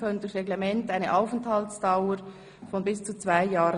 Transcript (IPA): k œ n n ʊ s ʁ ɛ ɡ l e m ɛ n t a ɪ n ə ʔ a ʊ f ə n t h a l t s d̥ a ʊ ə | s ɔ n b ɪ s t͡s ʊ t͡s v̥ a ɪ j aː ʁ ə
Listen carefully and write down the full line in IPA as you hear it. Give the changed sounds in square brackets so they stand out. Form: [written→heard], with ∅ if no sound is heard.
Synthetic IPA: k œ n [n→d] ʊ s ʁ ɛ ɡ l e m ɛ n t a ɪ n ə ʔ a ʊ f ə n t h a l t s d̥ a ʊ ə | [s→f] ɔ n b ɪ s t͡s [ʊ→u] t͡s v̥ a ɪ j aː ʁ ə